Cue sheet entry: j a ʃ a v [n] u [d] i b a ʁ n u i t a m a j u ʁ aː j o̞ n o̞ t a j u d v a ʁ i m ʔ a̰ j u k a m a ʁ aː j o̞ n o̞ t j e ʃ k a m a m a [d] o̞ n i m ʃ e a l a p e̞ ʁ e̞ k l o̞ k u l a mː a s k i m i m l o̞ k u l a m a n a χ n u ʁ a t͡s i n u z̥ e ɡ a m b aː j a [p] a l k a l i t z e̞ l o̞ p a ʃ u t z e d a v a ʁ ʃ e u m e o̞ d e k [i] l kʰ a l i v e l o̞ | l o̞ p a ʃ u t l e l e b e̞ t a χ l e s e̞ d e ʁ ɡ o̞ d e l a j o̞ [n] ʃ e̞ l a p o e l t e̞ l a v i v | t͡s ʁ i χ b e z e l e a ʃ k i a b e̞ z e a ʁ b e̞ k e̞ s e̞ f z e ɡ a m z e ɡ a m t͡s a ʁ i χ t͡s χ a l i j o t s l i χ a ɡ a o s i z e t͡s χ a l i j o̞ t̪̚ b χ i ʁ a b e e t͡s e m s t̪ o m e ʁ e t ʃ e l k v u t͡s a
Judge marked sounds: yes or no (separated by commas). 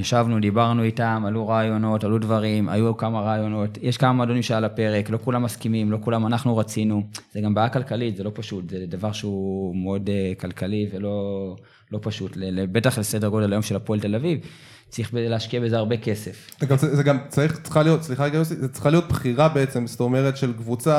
yes, yes, yes, no, no, no